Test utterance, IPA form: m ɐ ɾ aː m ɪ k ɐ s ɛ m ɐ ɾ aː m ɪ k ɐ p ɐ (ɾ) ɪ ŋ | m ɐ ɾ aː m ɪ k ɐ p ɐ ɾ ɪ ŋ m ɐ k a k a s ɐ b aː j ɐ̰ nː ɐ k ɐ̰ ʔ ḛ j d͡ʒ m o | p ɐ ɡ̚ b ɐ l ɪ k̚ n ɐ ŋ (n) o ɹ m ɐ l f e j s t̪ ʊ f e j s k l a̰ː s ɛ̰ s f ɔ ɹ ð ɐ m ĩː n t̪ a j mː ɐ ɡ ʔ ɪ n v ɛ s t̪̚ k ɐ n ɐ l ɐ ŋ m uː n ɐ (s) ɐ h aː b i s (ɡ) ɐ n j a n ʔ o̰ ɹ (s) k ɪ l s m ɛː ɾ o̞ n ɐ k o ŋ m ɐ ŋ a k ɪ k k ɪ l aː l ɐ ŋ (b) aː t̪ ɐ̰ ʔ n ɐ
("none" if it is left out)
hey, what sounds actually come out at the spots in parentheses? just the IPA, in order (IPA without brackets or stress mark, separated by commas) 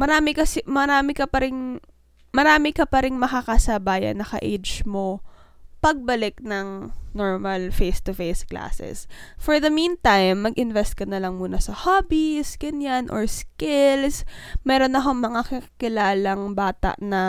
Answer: ɾ, n, s, ɡ, s, b